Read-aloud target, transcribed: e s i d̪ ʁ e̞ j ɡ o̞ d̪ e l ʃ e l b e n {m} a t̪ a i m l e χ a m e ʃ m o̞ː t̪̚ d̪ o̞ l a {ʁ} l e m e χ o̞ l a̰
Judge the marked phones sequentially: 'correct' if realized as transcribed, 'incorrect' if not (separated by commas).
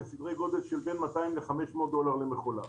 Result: correct, correct